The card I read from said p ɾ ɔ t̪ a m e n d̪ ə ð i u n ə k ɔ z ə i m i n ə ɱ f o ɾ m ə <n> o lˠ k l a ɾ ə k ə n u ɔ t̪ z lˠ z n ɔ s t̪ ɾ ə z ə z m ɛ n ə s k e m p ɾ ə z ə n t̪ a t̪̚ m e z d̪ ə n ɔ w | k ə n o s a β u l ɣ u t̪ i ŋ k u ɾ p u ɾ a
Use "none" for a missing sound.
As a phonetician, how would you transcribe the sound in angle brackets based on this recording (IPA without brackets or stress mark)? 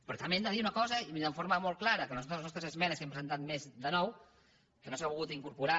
m